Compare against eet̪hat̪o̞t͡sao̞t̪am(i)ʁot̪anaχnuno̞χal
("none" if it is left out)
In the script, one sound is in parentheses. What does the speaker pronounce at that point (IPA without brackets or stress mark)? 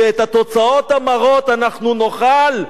a